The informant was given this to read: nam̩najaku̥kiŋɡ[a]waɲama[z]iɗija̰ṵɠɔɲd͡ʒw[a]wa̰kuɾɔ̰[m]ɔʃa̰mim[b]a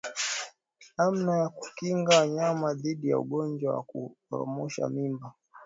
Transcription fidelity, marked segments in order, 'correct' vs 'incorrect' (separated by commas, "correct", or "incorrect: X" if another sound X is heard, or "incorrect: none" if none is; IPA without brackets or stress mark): correct, incorrect: ð, correct, correct, correct